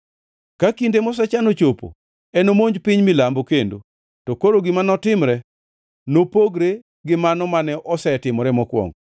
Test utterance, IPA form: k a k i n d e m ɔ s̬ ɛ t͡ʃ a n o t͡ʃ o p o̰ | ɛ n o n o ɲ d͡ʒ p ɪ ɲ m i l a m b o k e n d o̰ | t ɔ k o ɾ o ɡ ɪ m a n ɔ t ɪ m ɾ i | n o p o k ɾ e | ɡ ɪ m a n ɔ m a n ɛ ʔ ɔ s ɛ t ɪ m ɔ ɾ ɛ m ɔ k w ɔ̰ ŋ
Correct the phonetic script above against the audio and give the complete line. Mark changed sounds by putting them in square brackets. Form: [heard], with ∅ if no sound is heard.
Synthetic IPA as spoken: k a k i n d e m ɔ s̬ ɛ t͡ʃ a n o t͡ʃ o p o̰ | ɛ n o [m] o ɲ d͡ʒ p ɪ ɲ m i l a m b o k e n d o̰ | t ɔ k o ɾ o ɡ ɪ m a n ɔ t ɪ m ɾ [ɛ] | n o p o [ɡ] ɾ e | ɡ ɪ m a n ɔ m a n ɛ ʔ ɔ s ɛ t ɪ m ɔ ɾ ɛ m ɔ k w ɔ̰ ŋ